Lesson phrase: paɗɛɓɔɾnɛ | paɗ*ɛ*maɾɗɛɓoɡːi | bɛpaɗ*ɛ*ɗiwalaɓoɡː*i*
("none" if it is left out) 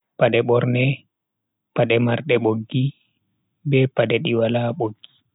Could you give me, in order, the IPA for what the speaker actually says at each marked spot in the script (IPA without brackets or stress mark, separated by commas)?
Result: ɛ, ɛ, i